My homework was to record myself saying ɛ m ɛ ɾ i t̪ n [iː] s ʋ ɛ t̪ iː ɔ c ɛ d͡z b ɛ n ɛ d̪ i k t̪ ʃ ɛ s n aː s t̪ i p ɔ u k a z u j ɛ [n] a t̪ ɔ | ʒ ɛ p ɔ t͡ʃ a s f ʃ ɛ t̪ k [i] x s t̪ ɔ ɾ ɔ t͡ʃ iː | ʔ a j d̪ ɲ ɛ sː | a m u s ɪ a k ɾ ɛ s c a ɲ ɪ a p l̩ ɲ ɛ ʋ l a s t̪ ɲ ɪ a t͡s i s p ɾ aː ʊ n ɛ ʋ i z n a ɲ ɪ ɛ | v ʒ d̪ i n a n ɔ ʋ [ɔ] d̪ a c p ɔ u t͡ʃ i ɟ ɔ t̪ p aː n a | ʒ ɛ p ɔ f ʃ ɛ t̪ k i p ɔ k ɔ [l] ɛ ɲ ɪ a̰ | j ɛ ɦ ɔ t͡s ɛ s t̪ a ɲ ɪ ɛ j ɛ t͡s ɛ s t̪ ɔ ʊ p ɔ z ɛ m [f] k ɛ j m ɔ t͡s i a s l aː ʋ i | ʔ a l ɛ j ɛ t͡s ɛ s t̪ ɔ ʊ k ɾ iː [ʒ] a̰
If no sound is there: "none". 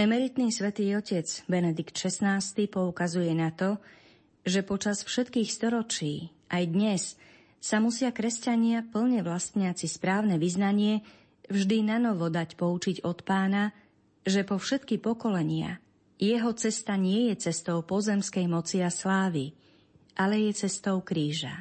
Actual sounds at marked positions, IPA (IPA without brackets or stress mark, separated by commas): iː, n, iː, ɔ, l, s, ʒ